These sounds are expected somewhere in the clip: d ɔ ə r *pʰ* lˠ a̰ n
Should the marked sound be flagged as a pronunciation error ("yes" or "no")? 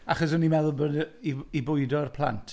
no